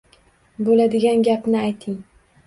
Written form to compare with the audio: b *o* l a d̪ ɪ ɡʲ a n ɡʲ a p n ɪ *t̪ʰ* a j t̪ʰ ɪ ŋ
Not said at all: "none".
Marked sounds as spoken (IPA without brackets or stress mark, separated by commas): o, none